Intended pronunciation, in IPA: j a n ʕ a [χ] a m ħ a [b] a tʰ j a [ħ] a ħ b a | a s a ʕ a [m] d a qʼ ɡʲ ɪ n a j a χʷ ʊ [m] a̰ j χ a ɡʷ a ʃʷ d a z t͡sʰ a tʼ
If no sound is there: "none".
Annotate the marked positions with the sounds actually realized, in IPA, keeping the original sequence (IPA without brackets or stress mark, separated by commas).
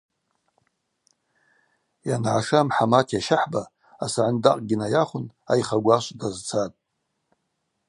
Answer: ʂ, m, ʃ, n, n